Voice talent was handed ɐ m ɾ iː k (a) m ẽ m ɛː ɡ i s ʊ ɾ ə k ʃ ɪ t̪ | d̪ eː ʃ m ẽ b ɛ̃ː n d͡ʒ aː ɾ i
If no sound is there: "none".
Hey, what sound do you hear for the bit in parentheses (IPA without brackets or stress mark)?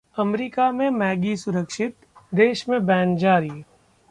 a